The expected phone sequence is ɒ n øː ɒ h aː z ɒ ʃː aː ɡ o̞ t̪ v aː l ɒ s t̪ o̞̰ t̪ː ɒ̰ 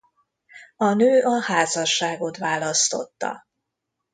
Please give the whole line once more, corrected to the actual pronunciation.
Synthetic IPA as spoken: ɒ n øː ɒ h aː z ɒ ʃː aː ɡ o̞ t̪ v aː l ɒ s t̪ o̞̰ t̪ː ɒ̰